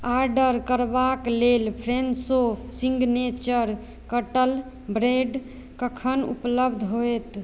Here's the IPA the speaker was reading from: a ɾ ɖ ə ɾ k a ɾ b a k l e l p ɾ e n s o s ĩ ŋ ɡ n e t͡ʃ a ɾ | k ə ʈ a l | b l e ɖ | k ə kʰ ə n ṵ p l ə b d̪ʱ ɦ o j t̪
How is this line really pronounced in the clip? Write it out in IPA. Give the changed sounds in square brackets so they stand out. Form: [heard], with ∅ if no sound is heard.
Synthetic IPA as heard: a ɾ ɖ ə ɾ k [ə] ɾ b a k l e l [pʰ] ɾ e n s o s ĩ ŋ ɡ n e t͡ʃ [ə] ɾ | k ə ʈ [ə] l | b [ɾ] e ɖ | k ə kʰ ə n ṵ p l ə b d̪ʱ ɦ o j t̪